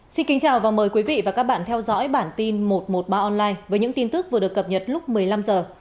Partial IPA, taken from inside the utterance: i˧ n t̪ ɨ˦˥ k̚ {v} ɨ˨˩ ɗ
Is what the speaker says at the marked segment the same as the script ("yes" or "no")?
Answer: yes